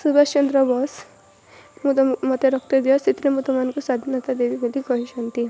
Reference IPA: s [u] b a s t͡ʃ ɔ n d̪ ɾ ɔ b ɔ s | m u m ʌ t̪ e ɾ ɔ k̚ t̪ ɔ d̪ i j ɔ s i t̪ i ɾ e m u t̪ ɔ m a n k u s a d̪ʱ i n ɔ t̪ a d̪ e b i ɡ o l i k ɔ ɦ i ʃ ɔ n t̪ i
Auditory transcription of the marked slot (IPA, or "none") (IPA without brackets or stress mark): u